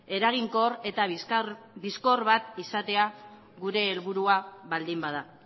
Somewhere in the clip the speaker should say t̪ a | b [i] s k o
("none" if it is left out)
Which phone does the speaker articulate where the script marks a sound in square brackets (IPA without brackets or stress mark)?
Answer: i